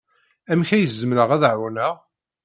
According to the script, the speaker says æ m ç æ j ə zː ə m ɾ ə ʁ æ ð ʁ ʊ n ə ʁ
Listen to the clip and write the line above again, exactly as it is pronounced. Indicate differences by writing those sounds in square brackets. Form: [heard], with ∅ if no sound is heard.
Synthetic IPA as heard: æ m ç æ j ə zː ə m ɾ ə ʁ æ ð [ʕ] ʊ n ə ʁ